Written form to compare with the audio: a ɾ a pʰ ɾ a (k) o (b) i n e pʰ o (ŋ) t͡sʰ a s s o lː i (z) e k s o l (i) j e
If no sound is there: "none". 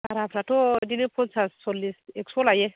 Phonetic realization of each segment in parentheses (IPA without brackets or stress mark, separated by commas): t, d, n, s, a